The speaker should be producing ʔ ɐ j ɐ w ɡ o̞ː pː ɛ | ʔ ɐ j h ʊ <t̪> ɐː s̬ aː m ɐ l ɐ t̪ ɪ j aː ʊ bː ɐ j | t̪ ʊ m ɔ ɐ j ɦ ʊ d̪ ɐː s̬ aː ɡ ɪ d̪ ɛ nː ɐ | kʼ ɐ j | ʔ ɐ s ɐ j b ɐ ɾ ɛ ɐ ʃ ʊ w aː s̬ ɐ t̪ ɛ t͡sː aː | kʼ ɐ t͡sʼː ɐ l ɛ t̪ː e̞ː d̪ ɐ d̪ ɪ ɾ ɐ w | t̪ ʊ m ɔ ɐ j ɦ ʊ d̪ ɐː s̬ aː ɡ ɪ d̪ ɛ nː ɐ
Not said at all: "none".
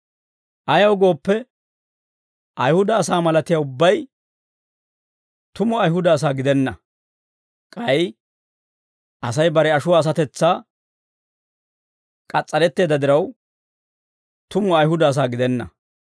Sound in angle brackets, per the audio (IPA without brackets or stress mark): d̪